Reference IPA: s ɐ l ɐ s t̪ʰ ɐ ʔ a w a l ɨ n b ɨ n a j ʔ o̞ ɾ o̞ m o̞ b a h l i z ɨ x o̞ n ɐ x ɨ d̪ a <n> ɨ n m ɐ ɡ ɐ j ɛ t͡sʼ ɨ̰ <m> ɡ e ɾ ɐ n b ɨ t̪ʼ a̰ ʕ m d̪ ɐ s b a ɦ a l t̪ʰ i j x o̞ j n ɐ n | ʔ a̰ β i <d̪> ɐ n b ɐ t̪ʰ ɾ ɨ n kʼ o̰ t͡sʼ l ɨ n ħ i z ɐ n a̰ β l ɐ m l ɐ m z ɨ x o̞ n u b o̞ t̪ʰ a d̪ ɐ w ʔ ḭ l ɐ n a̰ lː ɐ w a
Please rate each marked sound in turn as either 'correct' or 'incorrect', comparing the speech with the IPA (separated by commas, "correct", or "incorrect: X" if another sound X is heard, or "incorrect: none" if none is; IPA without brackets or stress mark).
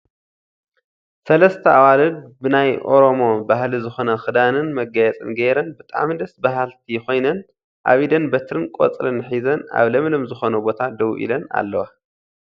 correct, incorrect: n, correct